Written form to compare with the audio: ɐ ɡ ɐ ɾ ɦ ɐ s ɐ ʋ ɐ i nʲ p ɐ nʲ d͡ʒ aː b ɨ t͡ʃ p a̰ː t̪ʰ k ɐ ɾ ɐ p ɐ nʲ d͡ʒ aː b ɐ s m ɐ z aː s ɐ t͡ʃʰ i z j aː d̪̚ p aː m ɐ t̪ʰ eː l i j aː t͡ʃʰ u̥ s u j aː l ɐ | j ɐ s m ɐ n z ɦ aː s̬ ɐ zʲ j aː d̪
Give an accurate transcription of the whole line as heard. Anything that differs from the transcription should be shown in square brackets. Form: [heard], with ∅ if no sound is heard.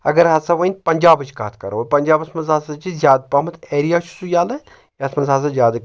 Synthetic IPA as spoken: ɐ ɡ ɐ ɾ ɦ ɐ s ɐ ʋ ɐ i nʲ p ɐ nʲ d͡ʒ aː b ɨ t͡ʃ [k] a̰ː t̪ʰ k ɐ ɾ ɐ p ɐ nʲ d͡ʒ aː b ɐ s m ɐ z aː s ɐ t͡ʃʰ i z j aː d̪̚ p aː m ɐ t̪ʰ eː [ɾ] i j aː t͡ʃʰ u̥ s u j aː l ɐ | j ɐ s m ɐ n z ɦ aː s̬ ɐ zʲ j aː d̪